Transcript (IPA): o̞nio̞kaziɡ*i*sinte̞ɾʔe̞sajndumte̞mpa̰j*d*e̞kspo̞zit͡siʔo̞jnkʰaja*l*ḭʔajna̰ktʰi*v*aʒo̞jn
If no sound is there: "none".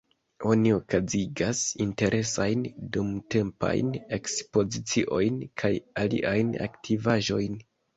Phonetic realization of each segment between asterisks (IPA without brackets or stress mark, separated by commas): a, n, l, v